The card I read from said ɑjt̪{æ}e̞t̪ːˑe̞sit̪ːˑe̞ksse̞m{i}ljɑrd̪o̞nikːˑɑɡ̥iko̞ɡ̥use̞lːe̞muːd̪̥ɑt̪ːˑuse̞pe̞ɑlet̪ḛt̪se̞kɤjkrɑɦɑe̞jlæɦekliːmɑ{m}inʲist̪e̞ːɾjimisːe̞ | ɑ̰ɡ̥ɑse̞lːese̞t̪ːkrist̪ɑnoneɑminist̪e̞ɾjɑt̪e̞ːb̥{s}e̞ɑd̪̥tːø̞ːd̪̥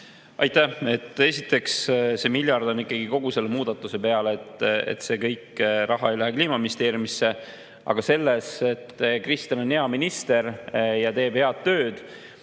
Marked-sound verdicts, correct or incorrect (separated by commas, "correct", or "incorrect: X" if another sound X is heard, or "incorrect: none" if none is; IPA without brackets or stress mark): correct, correct, correct, incorrect: h